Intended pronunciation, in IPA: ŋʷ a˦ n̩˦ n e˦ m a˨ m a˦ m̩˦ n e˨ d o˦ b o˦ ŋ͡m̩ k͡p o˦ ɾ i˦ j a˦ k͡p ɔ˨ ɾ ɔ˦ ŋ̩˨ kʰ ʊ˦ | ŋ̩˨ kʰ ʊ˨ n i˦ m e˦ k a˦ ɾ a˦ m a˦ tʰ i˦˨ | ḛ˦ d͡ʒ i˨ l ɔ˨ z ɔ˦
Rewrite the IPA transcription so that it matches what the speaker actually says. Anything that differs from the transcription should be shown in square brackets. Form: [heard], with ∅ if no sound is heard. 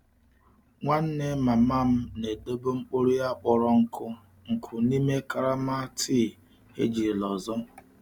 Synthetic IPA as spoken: ŋʷ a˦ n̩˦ n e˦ m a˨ m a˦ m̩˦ n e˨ d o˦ b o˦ ŋ͡m̩ k͡p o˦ ɾ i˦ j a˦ k͡p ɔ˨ ɾ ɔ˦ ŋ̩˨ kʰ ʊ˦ | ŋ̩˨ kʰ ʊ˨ n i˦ m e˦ k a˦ ɾ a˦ m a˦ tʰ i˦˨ | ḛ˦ d͡ʒ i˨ l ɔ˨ z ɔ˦